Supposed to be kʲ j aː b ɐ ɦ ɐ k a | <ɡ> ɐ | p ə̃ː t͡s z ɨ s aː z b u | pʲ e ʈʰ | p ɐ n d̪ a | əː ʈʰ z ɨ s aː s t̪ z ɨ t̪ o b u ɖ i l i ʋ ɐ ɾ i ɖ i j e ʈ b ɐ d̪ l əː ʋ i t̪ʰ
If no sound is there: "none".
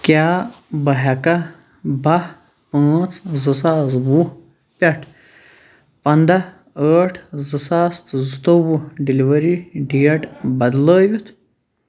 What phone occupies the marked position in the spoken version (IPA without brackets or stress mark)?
b